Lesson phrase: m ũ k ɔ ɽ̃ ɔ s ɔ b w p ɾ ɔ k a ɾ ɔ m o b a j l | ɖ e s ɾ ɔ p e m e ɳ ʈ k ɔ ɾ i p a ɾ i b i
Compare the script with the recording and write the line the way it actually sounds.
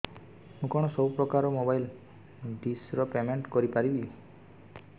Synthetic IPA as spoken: m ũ k ɔ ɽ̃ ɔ s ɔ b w p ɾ ɔ k a ɾ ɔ m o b a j l | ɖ i s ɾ ɔ p e m e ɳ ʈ k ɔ ɾ i p a ɾ i b i